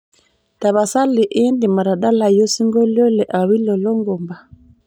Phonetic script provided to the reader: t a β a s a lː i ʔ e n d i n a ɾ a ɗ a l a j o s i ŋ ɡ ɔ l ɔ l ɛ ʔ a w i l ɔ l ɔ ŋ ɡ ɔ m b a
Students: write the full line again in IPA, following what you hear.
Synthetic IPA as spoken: t a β a s a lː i ʔ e n d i m a ɾ a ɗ a l a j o s i ŋ ɡ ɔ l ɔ l ɛ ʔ a w i l ɔ l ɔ ŋ ɡ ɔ m b a